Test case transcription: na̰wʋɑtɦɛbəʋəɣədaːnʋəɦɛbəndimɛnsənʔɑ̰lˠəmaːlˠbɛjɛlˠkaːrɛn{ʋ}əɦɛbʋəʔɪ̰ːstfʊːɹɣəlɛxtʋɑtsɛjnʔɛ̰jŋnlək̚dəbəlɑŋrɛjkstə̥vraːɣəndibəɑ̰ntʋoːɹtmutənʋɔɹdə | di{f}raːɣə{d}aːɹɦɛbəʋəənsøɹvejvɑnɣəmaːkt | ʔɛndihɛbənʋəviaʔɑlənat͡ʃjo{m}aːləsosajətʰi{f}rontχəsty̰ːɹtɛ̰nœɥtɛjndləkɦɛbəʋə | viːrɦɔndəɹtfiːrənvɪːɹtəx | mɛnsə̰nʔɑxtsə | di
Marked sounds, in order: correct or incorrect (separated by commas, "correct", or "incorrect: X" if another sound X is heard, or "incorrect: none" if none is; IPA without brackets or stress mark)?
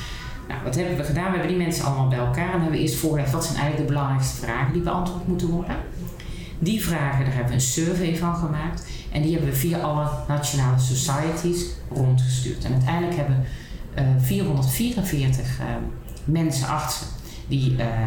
correct, incorrect: v, correct, incorrect: n, incorrect: s